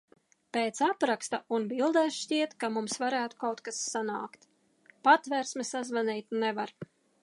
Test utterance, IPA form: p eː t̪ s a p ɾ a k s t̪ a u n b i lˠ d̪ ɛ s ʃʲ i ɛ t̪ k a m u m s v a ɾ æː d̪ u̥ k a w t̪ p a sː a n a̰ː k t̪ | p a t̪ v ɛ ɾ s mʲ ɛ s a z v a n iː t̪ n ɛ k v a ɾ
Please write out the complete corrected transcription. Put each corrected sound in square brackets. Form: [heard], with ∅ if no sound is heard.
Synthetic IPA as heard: p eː t̪ s a p ɾ a k s t̪ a u n b i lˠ d̪ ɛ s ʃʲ i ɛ t̪ k a m u m s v a ɾ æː [t̪] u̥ k a w t̪ [k] a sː a n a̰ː k t̪ | p a t̪ v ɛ ɾ s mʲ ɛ s a z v a n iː t̪ n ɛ [∅] v a ɾ